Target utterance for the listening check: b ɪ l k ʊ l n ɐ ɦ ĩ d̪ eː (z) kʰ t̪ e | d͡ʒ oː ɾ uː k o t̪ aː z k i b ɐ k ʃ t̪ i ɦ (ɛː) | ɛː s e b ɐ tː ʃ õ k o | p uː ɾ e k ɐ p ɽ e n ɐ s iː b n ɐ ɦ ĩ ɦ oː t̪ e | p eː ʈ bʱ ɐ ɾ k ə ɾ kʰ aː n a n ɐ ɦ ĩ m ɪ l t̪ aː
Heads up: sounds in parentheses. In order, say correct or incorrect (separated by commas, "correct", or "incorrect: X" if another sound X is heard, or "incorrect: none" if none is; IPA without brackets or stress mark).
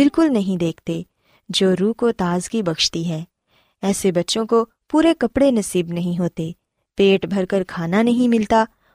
incorrect: none, correct